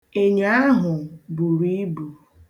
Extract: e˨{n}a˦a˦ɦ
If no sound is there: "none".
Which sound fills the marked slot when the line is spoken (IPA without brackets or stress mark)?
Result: ɲ